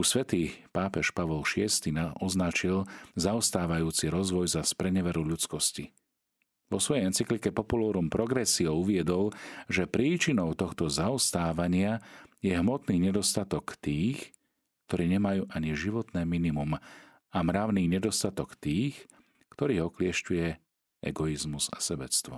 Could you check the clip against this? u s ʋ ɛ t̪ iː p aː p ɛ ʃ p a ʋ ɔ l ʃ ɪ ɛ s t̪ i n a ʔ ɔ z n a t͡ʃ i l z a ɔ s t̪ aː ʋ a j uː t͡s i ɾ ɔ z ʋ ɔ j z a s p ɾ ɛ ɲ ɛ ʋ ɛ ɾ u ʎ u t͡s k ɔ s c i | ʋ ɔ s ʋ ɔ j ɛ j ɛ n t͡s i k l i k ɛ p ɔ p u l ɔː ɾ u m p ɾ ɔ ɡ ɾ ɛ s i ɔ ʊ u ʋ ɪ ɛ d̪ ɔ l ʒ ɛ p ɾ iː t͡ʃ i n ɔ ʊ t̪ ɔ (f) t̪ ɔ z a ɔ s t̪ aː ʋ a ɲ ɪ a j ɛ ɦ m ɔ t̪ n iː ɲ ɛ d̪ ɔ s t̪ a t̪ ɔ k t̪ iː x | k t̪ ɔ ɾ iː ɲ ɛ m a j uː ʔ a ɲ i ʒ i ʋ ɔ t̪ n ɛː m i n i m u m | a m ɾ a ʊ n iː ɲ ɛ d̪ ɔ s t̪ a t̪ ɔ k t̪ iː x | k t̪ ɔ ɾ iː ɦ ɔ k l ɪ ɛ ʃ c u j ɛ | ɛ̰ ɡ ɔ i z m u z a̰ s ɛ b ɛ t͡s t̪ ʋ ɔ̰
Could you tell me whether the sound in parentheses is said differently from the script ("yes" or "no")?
yes